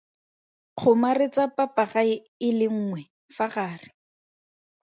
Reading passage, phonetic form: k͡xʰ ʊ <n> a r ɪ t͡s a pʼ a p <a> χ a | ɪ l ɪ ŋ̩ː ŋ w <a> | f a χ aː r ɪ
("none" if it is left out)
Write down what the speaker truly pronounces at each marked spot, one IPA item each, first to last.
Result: m, a, ɛ

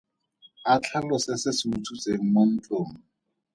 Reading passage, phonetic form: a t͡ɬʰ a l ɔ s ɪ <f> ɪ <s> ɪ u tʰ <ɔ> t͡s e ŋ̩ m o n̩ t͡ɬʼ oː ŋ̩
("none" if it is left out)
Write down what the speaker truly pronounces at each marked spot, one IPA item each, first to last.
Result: s, s, u

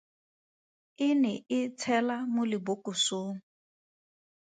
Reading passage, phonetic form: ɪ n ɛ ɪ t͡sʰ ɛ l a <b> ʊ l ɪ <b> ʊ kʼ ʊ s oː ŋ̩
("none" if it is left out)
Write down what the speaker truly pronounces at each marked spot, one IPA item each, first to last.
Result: m, b

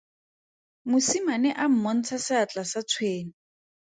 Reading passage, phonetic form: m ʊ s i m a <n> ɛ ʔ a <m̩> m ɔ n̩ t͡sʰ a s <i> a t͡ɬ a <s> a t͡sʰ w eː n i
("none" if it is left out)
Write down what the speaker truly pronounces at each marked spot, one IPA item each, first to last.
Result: n, m̩, ɪ, s

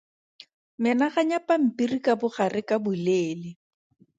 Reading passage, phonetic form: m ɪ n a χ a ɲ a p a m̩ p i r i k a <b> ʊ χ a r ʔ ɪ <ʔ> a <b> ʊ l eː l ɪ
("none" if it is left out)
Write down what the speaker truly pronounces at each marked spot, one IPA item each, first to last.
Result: b, k, b

